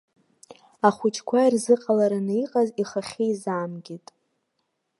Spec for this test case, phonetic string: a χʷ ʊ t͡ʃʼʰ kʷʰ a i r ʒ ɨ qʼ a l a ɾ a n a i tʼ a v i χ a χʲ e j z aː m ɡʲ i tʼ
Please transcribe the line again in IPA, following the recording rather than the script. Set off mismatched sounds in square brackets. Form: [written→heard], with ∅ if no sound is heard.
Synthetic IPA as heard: a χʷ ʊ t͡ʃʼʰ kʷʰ a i r [ʒ→z] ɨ qʼ a l a ɾ a n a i [tʼ→qʼ] a [v→z] i χ a χʲ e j z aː m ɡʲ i tʼ